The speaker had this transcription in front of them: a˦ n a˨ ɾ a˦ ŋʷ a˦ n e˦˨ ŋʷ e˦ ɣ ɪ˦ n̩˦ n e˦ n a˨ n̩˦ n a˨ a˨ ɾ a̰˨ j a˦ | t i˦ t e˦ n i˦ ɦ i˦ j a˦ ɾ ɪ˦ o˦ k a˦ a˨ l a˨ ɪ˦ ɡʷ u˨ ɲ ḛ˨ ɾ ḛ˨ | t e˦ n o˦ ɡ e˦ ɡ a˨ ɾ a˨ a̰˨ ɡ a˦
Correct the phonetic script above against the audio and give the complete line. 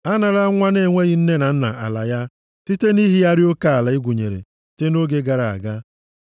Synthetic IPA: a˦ n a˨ ɾ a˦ ŋʷ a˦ n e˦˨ ŋʷ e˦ ɣ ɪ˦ n̩˦ n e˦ n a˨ n̩˦ n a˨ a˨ l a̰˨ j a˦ | t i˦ t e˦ n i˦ ɦ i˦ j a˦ ɾ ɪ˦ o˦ k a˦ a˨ l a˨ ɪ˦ ɡʷ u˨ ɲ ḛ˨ ɾ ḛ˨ | t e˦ n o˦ ɡ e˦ ɡ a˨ ɾ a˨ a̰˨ ɡ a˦